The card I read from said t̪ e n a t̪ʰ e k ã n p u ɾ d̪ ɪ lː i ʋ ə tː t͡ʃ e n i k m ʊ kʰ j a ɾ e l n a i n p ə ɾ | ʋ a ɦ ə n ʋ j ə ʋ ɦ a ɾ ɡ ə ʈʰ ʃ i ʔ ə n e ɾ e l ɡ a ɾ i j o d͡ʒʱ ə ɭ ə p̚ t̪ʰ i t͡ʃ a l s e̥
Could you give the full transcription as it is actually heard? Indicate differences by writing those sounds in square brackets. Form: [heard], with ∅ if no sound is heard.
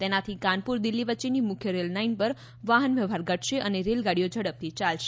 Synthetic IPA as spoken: t̪ e n a t̪ʰ [i] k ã n p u ɾ d̪ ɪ lː i ʋ ə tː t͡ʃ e n i [∅] m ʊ kʰ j [ə] ɾ e l n a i n p ə ɾ | ʋ a ɦ ə n ʋ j ə ʋ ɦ a ɾ ɡ ə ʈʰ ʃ [e] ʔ ə n e ɾ e l ɡ a [ɽ] i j o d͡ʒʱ ə [ɽ] ə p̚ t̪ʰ i t͡ʃ a l [ʃ] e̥